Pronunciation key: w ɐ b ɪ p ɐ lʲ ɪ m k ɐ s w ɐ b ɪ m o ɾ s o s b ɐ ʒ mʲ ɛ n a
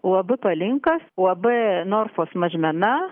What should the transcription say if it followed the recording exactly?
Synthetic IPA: w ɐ b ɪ p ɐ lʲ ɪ ŋ k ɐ s w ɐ b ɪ n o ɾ f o s m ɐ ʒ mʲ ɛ n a